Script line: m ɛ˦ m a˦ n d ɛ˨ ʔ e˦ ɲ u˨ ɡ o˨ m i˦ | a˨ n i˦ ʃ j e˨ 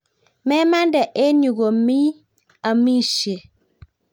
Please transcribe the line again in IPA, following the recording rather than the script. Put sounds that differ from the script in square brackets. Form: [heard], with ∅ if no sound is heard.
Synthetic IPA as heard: m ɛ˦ m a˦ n d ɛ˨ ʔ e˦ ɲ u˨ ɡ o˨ m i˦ | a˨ [m] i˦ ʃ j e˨